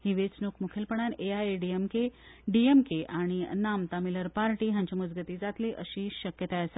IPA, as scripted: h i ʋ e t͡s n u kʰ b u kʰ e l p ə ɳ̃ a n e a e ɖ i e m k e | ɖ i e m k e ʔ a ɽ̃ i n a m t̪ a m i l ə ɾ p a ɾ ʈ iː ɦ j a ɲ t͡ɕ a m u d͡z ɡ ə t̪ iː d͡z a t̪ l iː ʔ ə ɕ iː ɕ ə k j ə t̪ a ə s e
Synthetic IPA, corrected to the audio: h i ʋ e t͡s n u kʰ m u kʰ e l p ə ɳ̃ a n e a e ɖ i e m k e | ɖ i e m k e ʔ a ɽ̃ i n a m t̪ a m i l ə ɾ p a ɾ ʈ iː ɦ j a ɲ t͡ɕ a m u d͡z ɡ ə t̪ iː d͡z a t̪ l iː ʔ ə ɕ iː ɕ ə k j ə t̪ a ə s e